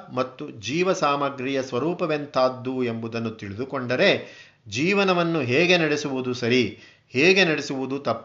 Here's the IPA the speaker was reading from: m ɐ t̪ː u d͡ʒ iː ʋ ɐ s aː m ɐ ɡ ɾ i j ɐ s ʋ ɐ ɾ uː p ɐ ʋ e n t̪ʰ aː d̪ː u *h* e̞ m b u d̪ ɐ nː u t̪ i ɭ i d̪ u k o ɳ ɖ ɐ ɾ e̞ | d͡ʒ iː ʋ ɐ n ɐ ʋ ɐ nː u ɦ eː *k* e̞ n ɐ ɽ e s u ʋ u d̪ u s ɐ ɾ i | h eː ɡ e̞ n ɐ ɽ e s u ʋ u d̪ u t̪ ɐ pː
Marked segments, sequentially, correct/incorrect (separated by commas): incorrect, incorrect